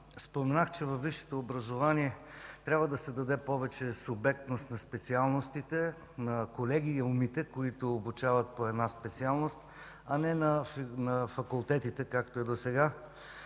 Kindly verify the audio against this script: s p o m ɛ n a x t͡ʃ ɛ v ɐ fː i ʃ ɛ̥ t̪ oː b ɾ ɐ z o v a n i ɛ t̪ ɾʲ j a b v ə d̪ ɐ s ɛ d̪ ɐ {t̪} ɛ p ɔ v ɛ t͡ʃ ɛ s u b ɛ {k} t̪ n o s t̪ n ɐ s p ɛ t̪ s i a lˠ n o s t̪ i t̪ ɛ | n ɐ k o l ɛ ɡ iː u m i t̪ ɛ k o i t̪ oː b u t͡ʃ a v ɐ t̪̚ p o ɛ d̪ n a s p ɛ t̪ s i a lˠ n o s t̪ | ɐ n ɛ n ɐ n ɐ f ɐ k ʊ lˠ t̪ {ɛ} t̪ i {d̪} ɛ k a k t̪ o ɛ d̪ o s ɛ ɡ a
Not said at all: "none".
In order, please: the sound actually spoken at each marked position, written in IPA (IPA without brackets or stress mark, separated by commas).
d̪, k, ɛ, t̪